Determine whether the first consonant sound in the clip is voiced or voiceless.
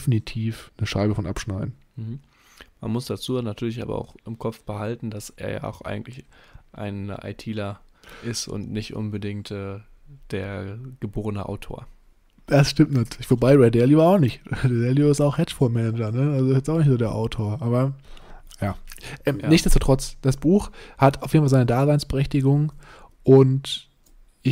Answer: voiceless